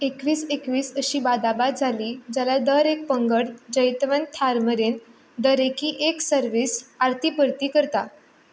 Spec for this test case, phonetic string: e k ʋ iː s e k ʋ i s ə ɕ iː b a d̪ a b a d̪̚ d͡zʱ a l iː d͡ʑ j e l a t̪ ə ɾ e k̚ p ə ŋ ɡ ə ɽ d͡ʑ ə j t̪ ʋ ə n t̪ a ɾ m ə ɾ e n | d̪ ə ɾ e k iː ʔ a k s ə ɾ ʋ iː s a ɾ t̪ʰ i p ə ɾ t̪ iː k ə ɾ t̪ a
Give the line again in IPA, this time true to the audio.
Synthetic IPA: e k ʋ iː s e k ʋ iː s ə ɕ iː b a d̪ a b a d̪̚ d͡zʱ a l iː d͡ʑ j a l a d̪ ə ɾ e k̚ p ə ŋ ɡ ə ɽ d͡ʑ ə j t̪ ʋ ə n t̪ʰ a ɾ m ə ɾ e n | d̪ ə ɾ e k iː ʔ e k s ə ɾ ʋ iː s a ɾ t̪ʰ i p ə ɾ t̪ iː k ə ɾ t̪ a